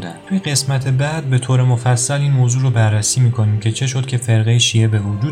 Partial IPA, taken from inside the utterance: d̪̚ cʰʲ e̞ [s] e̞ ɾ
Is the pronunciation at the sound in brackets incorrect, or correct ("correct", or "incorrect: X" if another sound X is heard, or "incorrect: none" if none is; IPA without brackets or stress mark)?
incorrect: f